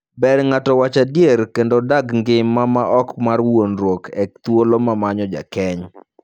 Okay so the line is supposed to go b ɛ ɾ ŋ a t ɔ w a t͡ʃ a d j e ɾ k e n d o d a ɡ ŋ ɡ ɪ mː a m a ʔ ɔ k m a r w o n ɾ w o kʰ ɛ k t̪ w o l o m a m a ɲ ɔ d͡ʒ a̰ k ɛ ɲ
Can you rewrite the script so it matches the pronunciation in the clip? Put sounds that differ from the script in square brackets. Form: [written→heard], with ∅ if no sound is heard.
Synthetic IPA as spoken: b ɛ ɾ ŋ a t ɔ w a t͡ʃ a d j e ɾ k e n d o d a ɡ ŋ ɡ ɪ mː a m a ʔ ɔ k m a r w o n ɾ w o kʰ ɛ k t̪ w o l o m a m a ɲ ɔ d͡ʒ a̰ k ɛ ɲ